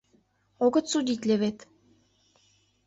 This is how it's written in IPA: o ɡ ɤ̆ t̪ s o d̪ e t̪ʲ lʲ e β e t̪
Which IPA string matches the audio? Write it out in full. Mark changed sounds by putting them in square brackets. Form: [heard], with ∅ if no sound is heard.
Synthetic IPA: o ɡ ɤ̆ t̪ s [u] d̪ [i] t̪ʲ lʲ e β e t̪